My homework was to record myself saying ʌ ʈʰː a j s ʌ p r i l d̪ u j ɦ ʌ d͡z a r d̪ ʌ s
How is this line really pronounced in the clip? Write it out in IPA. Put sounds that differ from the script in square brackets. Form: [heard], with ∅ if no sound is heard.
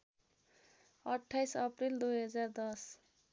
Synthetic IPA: ʌ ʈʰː a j s ʌ p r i l d̪ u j ɦ ʌ d͡z a r d̪ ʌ s